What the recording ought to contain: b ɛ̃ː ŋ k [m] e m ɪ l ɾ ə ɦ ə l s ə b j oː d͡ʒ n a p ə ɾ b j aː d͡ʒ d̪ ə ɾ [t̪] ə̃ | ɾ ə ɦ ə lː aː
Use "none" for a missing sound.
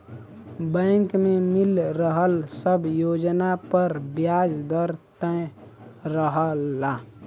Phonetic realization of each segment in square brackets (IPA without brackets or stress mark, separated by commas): m, t̪